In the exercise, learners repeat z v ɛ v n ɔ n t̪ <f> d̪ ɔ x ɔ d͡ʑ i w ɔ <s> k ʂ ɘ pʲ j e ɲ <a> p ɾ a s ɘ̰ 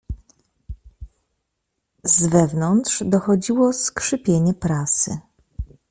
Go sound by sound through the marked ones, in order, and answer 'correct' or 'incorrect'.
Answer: incorrect, correct, incorrect

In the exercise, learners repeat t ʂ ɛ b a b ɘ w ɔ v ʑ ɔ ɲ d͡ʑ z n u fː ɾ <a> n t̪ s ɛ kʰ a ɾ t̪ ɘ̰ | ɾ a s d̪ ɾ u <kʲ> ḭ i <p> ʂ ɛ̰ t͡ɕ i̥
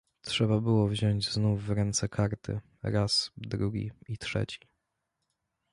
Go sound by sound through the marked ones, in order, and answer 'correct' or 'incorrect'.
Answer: incorrect, incorrect, incorrect

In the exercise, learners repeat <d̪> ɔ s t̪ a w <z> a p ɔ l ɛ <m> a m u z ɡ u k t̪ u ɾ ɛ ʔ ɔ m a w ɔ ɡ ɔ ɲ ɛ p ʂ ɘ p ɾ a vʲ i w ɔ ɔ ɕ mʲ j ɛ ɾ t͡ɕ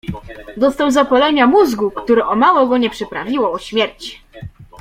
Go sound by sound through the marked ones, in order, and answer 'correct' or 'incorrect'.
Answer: correct, correct, incorrect

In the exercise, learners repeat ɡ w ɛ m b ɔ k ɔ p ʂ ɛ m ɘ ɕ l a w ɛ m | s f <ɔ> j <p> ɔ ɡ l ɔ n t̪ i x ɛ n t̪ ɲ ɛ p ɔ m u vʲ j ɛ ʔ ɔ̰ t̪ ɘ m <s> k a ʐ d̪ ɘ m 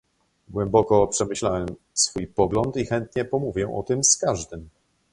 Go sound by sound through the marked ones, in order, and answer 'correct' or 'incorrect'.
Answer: incorrect, correct, correct

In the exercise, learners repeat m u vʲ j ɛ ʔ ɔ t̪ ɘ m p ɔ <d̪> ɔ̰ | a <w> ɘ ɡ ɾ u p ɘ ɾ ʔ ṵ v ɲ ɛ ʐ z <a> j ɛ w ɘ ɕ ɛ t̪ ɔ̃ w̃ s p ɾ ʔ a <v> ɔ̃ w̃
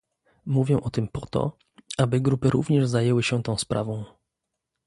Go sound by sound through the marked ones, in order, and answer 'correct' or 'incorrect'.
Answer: incorrect, incorrect, correct, correct

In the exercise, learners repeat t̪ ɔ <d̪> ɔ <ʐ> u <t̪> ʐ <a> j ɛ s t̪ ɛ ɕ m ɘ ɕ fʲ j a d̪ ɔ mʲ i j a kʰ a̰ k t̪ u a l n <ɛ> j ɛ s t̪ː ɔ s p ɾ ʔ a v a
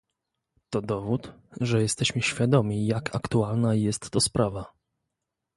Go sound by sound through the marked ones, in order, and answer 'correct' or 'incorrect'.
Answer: correct, incorrect, correct, incorrect, incorrect

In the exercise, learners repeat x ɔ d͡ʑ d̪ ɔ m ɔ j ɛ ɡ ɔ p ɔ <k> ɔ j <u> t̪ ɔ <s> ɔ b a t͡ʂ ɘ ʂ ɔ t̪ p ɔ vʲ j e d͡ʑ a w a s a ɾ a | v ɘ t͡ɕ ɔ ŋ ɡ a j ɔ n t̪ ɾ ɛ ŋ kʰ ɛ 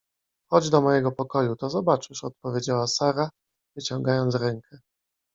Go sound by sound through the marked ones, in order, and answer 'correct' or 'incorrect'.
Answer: correct, correct, incorrect

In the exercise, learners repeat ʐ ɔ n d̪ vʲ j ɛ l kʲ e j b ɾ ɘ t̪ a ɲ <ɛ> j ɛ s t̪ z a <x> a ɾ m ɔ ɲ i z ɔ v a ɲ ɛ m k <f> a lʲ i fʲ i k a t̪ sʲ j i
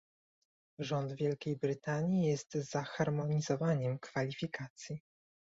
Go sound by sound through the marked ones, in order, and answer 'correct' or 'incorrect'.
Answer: incorrect, correct, correct

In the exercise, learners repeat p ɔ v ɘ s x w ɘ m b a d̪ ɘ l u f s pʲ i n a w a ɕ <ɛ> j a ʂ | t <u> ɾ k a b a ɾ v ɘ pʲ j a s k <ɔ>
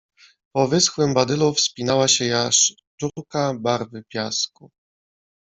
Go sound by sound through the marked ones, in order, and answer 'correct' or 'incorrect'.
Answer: correct, correct, incorrect

